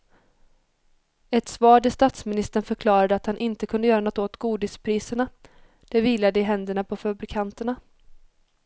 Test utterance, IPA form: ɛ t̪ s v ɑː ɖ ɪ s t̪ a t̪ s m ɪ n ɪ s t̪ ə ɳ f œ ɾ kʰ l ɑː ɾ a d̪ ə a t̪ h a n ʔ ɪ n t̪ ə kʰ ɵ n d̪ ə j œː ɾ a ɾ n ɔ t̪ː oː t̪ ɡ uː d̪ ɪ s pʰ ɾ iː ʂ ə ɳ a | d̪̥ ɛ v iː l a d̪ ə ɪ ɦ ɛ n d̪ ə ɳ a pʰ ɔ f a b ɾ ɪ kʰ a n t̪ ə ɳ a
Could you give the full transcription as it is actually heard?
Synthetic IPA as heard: ɛ t̪ s v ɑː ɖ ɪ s t̪ a t̪ s m ɪ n ɪ s t̪ ə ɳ f œ ɾ kʰ l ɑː ɾ a d̪ ə a t̪ h a n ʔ ɪ n t̪ ə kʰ ɵ n d̪ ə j œː ɾ a n ɔ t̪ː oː t̪ ɡ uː d̪ ɪ s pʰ ɾ iː s ə ɳ a | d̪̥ ɛ v iː l a d̪ ə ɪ ɦ ɛ n d̪ ə ɳ a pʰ ɔ f a b ɾ ɪ kʰ a n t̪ ə ɳ a